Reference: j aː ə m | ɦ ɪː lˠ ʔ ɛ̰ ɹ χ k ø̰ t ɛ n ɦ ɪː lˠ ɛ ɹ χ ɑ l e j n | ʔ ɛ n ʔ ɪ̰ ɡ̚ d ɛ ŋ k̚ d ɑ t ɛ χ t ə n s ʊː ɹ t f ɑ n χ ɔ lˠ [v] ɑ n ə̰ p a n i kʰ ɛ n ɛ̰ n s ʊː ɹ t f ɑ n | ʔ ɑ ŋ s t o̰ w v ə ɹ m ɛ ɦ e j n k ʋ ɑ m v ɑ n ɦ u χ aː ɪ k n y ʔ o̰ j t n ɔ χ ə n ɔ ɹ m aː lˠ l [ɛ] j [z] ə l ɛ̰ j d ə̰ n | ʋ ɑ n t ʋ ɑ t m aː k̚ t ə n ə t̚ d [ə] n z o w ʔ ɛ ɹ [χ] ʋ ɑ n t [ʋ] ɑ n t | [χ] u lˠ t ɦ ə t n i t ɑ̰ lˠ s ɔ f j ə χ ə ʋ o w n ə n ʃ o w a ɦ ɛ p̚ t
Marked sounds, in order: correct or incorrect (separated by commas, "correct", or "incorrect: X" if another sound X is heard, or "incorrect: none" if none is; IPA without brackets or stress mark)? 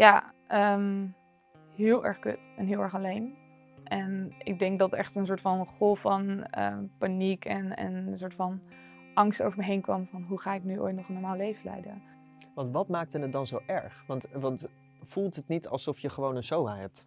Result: incorrect: f, incorrect: e, incorrect: v, incorrect: ɑ, correct, correct, incorrect: f